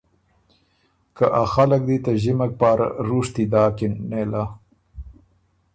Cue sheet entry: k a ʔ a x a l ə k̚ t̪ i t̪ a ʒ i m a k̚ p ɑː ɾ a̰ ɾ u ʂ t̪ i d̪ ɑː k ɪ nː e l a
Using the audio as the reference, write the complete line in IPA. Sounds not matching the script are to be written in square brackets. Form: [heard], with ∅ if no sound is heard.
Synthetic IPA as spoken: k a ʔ a x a l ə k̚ [d̪] i t̪ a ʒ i m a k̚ p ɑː ɾ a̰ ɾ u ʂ t̪ i d̪ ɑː k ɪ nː e l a

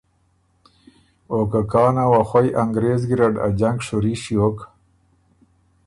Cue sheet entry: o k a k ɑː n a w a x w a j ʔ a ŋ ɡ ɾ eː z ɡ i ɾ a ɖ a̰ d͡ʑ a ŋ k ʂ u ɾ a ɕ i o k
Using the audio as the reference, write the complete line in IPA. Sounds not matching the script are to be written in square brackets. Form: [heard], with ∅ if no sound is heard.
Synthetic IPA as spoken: o k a k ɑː n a w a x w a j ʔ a ŋ ɡ ɾ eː z ɡ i ɾ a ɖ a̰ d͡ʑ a ŋ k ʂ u ɾ [i] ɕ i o k

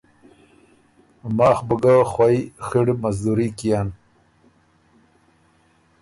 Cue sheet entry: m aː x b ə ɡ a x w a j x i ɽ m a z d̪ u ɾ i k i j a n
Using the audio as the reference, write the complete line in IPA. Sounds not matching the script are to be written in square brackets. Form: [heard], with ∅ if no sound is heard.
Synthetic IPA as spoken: m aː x b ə ɡ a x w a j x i ɽ m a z d̪ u ɾ i k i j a n

